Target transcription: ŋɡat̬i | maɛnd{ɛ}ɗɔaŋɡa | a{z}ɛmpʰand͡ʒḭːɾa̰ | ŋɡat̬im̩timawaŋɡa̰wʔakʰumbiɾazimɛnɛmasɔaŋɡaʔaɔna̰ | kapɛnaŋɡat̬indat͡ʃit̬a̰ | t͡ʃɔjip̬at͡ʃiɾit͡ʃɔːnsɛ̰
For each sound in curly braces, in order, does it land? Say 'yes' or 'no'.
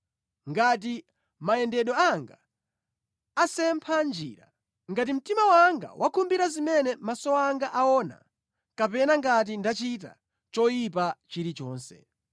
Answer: yes, no

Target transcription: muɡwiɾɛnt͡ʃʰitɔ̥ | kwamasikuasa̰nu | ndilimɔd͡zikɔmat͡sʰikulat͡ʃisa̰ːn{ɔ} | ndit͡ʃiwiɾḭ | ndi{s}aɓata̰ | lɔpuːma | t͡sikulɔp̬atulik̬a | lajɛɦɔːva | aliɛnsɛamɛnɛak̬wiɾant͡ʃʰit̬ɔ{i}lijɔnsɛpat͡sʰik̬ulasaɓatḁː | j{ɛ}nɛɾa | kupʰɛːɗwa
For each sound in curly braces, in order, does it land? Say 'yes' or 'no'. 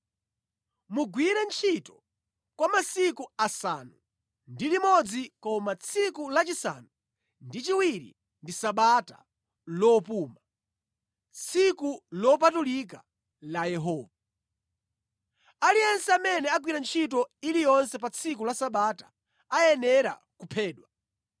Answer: no, yes, yes, yes

